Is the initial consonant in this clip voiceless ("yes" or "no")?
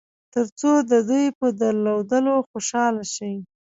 yes